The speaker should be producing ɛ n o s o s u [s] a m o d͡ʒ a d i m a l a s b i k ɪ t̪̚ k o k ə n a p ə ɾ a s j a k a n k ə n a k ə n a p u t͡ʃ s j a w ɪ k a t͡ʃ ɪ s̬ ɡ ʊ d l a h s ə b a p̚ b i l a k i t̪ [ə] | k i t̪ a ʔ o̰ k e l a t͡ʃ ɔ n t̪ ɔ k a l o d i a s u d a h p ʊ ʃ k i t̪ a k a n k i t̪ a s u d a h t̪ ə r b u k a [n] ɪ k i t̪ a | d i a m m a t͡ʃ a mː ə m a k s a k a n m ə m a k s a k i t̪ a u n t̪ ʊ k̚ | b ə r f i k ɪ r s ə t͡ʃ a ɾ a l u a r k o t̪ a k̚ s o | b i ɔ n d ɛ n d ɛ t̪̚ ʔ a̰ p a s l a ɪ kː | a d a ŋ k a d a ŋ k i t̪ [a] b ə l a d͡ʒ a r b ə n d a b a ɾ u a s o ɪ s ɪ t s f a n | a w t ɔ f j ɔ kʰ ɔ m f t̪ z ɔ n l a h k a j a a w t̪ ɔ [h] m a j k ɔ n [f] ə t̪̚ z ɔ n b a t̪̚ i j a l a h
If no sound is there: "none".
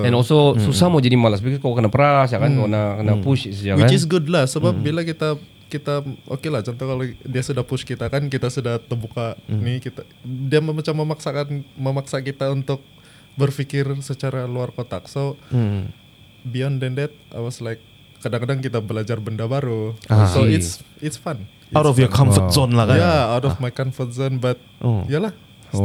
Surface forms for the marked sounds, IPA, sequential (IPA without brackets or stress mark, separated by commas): s, a, n, a, f, f